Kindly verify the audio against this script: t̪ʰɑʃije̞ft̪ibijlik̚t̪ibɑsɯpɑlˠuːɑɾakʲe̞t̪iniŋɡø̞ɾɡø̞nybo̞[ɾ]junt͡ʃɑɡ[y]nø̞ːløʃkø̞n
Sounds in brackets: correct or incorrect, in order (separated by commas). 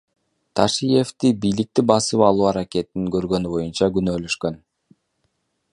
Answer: incorrect, correct